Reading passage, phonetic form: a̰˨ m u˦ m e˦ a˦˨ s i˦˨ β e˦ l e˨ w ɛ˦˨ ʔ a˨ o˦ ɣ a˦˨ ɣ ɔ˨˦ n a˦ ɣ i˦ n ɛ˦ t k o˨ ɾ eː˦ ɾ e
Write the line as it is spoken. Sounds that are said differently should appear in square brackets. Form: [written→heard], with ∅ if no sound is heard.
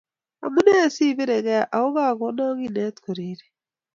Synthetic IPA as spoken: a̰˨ m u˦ [m→n] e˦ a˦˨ s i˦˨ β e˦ [l→ɾ] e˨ [w→ɣ] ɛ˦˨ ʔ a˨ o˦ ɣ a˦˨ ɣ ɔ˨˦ n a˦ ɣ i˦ n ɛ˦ t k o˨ ɾ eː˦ ɾ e